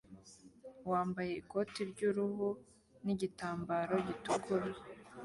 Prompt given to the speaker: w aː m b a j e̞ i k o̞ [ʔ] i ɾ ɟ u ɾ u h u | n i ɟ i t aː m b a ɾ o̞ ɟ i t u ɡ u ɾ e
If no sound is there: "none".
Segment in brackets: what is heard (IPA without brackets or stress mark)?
t